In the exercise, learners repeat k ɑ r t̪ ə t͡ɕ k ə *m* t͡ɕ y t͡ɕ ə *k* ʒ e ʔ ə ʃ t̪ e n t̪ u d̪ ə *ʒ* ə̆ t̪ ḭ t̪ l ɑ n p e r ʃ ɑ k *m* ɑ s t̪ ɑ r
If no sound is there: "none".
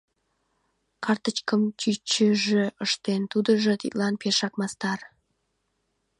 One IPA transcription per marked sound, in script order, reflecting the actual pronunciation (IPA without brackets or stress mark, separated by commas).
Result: m, none, ʒ, m